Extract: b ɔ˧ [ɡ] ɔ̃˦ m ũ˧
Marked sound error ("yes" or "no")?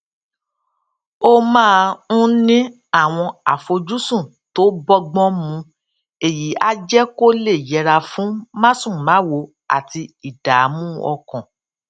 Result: yes